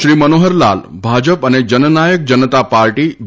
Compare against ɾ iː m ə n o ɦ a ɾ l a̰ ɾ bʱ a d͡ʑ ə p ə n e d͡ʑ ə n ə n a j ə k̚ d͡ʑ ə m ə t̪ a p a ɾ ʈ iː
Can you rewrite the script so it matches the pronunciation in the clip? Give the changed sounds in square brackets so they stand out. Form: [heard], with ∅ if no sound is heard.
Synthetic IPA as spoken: ɾ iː m ə n o ɦ [ə] ɾ l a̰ [l] bʱ a d͡ʑ ə p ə n e d͡ʑ ə n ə n a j ə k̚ d͡ʑ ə [n] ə t̪ a p a ɾ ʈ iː